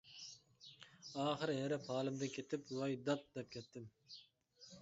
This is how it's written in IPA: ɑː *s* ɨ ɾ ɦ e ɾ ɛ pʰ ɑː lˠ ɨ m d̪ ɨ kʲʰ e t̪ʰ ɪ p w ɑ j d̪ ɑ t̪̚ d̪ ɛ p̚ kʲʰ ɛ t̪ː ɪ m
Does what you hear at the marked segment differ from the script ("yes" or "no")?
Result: yes